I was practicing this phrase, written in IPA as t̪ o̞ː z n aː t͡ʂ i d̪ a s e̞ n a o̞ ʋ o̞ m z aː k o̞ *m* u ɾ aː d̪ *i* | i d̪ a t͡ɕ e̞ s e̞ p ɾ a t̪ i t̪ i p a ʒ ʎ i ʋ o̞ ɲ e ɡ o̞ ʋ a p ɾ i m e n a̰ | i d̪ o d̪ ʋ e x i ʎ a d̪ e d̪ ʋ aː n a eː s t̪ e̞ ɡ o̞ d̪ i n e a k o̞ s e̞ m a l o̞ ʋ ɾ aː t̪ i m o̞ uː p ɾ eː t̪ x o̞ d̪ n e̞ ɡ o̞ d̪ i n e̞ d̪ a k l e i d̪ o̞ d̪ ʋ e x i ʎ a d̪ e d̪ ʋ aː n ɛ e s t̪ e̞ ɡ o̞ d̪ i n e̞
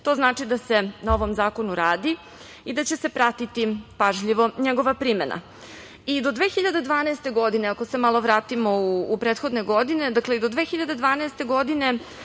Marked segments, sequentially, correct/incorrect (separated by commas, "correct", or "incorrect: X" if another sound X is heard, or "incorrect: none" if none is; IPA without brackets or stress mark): incorrect: n, correct